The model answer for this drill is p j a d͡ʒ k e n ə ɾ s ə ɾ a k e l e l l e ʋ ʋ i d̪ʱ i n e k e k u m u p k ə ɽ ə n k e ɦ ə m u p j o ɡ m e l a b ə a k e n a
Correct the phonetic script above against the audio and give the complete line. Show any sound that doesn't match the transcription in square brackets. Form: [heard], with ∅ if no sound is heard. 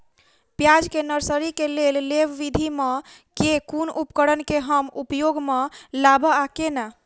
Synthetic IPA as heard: p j a d͡ʒ k e n ə ɾ s ə ɾ [i] k e l e l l e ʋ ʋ i d̪ʱ i [m] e k e k u [n] u p k ə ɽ ə n k e ɦ ə m u p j o ɡ m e l a b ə a k e n a